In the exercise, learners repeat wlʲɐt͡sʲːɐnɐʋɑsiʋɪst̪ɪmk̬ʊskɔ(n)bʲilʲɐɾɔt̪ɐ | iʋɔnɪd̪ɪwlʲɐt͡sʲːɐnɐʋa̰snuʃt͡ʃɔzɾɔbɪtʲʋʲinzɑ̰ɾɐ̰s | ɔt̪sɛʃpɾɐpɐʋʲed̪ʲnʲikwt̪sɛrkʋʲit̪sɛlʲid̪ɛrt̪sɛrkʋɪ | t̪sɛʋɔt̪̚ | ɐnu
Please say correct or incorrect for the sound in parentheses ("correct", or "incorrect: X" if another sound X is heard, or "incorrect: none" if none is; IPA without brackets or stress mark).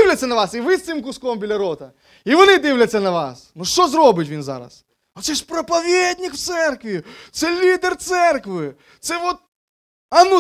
incorrect: m